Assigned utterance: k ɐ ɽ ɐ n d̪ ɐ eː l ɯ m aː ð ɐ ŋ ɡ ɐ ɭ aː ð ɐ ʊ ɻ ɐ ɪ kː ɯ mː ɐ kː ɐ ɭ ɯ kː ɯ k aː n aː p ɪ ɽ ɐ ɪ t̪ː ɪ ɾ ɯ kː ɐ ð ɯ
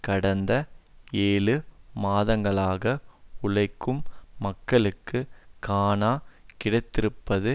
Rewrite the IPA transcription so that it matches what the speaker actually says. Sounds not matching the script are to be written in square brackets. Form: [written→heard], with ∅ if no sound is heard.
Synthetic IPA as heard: k ɐ ɽ ɐ n d̪ ɐ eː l ɯ m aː ð ɐ ŋ ɡ ɐ ɭ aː [ð→ɣ] ɐ ʊ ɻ ɐ ɪ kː ɯ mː ɐ kː ɐ ɭ ɯ kː ɯ k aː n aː [p→k] ɪ ɽ ɐ ɪ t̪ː ɪ ɾ ɯ [kː→pː] ɐ ð ɯ